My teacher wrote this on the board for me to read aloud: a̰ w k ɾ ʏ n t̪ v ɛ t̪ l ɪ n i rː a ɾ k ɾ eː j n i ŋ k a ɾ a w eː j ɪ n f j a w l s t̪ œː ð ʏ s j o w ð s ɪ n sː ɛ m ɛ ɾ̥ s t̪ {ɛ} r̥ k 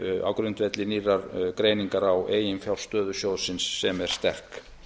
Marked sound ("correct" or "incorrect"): correct